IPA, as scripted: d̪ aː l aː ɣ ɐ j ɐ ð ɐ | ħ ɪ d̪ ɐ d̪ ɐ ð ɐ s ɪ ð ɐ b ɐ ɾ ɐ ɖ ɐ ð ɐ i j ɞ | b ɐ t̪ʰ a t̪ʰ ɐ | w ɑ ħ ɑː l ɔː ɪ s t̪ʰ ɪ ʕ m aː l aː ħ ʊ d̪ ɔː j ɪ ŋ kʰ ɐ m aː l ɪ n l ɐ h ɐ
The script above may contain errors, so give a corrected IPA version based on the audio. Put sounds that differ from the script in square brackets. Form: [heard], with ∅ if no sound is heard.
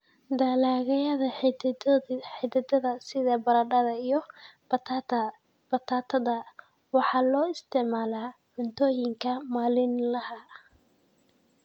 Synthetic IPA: d̪ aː l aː ɣ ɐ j ɐ ð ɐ | ħ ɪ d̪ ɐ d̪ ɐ ð ɐ s ɪ ð ɐ b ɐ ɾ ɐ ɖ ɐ ð ɐ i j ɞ | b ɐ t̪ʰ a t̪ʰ ɐ | w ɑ ħ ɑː l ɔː ɪ s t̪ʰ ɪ ʕ m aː l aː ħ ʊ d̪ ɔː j ɪ ŋ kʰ ɐ m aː l ɪ n l ɐ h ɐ